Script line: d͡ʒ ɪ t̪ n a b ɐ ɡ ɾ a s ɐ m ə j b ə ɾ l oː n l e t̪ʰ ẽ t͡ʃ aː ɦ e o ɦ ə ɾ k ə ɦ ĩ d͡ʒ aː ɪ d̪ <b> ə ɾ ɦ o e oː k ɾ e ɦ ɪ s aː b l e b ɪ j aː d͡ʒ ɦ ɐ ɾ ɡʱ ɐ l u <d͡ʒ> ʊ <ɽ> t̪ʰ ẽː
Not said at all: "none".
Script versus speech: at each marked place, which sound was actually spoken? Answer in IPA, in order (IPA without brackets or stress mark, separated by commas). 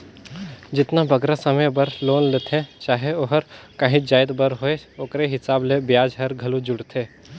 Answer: b, d͡ʒ, ɽ